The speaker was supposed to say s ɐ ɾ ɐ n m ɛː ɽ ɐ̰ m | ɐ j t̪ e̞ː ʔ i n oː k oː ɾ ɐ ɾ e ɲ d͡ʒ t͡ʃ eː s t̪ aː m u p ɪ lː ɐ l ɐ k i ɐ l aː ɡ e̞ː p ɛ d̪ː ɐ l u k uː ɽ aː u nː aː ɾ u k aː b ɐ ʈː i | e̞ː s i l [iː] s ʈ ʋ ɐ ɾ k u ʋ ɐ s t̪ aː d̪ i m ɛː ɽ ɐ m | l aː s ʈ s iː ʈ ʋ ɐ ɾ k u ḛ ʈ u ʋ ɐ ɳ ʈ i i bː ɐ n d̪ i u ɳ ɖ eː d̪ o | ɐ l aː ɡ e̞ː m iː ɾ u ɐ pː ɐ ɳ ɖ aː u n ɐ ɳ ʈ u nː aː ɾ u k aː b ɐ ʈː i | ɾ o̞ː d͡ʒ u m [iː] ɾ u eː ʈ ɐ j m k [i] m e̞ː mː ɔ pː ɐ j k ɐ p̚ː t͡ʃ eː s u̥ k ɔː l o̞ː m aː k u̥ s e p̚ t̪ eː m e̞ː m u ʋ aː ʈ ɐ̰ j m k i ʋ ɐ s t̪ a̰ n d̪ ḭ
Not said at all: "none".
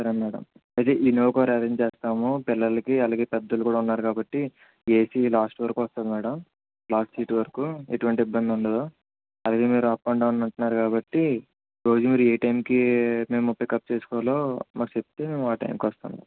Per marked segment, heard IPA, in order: aː, iː, i

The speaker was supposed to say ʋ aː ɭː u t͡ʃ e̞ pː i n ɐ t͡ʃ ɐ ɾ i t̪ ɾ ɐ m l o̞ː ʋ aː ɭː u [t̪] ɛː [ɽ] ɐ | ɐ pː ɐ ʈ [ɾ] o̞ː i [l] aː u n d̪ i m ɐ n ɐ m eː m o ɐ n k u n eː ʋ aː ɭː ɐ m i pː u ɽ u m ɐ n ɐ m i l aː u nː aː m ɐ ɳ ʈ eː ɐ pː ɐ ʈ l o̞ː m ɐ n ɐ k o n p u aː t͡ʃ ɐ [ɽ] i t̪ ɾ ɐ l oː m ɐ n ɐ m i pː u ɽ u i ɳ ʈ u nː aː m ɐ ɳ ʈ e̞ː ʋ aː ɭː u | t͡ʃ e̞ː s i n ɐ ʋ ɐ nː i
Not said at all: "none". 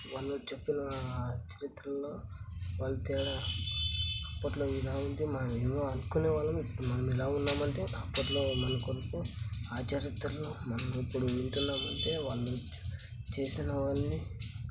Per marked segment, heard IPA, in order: t̪, ɽ, l, l, ɾ

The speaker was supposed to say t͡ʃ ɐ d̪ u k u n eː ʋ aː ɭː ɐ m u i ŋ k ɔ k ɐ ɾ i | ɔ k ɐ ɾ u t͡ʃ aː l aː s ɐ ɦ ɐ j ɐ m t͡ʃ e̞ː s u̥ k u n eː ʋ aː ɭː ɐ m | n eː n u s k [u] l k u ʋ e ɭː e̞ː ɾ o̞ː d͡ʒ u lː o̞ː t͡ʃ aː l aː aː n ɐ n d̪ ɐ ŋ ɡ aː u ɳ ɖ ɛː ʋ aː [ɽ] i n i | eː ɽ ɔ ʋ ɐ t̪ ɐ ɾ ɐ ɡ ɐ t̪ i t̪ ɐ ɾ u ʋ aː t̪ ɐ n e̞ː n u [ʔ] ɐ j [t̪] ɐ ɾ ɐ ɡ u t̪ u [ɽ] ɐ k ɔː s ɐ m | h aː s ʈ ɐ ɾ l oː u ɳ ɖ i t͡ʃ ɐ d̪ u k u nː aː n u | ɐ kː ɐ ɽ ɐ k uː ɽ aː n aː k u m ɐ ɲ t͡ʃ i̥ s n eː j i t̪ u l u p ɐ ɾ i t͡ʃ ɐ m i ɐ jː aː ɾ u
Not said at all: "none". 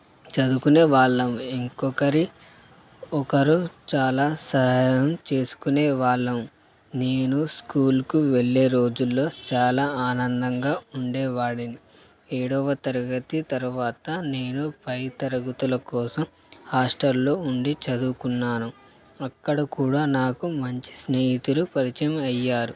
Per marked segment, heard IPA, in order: uː, ɽ, p, t̪, l

